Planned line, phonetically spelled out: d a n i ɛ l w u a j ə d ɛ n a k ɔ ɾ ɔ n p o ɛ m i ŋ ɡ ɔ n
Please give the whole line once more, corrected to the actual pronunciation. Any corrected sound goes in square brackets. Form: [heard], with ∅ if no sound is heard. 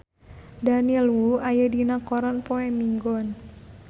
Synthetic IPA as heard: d a n i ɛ l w u a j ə d [i] n a k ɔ ɾ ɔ n p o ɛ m i ŋ ɡ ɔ n